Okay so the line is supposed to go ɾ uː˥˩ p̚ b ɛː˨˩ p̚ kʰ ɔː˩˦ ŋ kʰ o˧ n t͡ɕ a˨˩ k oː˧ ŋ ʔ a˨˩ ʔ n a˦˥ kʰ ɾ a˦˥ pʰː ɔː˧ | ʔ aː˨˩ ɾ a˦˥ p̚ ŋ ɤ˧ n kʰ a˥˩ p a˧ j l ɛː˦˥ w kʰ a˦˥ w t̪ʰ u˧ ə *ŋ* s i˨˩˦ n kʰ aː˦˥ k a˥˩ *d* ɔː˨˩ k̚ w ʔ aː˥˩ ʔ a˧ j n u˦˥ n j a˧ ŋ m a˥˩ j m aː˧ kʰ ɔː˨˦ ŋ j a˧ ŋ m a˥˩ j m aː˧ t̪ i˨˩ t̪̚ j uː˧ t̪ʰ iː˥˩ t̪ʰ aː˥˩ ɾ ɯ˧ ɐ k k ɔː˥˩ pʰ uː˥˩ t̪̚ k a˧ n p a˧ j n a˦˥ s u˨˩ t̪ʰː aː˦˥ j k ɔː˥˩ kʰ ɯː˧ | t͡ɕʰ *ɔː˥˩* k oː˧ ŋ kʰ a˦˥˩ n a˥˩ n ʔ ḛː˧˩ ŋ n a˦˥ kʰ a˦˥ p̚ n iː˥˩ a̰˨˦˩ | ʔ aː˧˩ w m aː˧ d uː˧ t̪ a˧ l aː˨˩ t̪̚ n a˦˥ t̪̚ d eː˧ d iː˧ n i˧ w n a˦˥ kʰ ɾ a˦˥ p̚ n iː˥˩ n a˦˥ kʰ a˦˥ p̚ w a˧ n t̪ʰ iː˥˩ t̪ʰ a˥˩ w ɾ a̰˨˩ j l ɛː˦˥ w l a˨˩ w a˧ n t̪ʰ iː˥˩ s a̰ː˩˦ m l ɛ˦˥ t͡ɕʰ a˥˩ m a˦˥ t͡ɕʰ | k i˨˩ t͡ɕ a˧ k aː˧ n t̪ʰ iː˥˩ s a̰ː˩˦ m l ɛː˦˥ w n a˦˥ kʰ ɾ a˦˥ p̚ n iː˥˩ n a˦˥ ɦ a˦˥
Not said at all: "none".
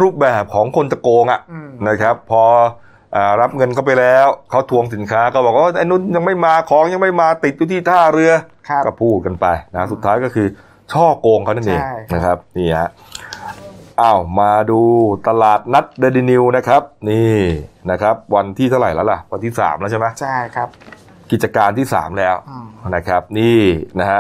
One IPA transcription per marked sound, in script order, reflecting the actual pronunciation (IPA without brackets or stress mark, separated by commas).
ŋ, b, ɔː˥˩